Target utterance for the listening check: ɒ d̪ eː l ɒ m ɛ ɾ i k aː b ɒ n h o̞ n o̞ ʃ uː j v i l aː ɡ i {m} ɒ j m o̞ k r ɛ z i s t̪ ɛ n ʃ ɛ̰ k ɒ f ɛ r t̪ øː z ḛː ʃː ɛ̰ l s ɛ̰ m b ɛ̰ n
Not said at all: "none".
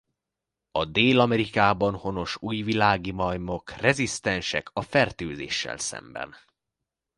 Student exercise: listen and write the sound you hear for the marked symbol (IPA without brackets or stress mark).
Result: m